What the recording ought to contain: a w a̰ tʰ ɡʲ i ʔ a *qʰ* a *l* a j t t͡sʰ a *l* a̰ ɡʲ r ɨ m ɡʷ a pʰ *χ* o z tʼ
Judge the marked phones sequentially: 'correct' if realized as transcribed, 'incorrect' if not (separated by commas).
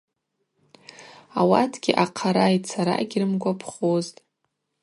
correct, incorrect, incorrect, correct